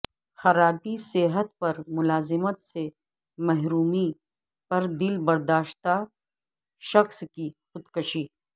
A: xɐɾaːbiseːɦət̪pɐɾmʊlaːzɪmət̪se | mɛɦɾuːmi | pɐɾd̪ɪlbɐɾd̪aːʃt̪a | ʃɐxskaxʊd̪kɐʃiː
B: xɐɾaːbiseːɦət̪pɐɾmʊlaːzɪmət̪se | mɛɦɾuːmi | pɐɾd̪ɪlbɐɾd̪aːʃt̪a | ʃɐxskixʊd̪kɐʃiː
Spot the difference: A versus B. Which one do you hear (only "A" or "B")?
B